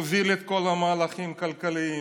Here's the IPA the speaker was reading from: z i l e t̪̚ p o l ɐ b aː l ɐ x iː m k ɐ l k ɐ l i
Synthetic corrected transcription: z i l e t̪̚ k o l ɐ m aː l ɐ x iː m k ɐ l k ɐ l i